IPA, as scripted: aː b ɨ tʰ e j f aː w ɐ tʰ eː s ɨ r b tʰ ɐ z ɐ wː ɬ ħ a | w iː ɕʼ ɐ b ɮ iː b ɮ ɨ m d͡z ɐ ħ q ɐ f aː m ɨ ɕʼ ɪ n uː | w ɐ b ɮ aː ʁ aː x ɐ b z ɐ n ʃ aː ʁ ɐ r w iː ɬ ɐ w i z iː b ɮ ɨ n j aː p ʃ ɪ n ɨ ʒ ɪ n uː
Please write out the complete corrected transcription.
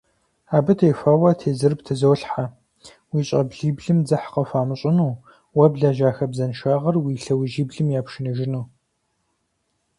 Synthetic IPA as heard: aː b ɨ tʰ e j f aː w ɐ tʰ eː z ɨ r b tʰ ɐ z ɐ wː ɬ ħ a | w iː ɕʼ ɐ b ɮ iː b ɮ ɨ m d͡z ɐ ħ q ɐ f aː m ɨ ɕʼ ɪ n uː | w ɐ b ɮ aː ʒ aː x ɐ b z ɐ n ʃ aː ʁ ɐ r w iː ɬ ɐ w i ʒ iː b ɮ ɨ m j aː p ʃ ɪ n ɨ ʒ ɪ n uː